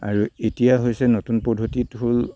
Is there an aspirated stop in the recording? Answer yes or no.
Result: no